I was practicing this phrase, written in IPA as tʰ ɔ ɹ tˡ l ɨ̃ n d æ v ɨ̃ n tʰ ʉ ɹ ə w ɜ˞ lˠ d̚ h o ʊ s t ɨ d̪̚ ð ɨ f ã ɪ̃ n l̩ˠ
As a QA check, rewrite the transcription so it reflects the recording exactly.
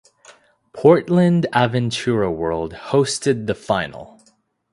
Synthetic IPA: pʰ ɔ ɹ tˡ l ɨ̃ n d æ v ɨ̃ n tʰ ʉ ɹ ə w ɜ˞ lˠ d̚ h o ʊ s t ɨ d̪̚ ð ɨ f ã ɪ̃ n l̩ˠ